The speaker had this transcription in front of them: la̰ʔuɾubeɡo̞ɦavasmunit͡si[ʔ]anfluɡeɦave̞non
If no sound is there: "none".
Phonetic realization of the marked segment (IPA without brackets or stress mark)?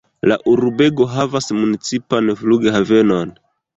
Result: p